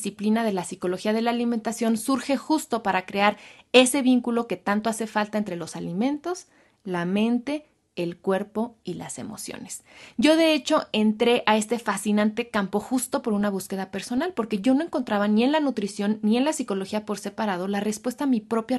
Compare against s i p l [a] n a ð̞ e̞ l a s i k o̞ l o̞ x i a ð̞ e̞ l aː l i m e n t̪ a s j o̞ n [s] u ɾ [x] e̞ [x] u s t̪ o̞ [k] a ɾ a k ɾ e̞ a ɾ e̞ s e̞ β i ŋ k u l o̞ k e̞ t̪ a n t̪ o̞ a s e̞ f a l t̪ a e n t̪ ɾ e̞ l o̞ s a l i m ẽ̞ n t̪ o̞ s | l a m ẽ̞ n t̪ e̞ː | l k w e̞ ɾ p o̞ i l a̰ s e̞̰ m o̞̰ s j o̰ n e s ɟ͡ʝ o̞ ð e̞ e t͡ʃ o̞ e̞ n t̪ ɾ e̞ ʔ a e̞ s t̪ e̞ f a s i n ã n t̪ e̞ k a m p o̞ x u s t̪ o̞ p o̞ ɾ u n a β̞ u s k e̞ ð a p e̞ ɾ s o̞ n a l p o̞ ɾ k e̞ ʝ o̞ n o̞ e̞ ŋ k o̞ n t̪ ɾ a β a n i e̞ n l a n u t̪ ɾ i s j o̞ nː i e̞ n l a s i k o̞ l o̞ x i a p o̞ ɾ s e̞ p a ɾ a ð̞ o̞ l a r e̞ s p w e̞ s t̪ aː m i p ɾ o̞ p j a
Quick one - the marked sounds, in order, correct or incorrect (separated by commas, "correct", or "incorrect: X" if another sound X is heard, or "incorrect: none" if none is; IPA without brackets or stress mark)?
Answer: incorrect: i, correct, correct, correct, incorrect: p